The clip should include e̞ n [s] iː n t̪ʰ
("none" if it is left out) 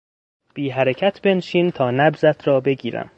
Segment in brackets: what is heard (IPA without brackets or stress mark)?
ʃ